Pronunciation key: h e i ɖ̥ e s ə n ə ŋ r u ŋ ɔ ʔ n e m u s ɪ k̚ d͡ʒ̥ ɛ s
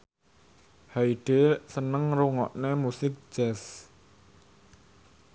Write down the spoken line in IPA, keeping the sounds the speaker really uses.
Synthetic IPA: h a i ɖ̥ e s ə n ə ŋ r u ŋ ɔ ʔ n e m u s ɪ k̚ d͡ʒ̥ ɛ s